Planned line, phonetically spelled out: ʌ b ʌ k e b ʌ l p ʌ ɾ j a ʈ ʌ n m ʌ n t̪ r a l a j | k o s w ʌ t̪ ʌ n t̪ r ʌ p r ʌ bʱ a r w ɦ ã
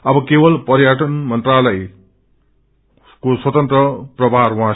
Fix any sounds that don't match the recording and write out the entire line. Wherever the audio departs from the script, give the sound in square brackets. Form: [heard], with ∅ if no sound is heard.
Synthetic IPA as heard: ʌ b ʌ k e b ʌ l p ʌ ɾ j a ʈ ʌ n m ʌ n t̪ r a l [ʌ] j | k o s w ʌ t̪ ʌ n t̪ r ʌ p r ʌ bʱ a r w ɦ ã